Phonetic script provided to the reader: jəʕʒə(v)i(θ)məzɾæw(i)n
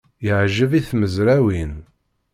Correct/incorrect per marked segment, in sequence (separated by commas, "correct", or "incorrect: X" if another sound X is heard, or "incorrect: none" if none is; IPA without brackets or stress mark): correct, correct, correct